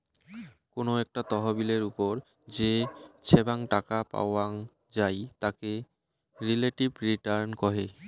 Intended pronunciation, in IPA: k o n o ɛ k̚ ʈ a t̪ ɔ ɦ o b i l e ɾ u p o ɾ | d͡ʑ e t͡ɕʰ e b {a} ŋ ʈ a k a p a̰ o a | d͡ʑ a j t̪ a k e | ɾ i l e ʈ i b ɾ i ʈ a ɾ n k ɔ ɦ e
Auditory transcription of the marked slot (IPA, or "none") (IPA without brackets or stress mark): a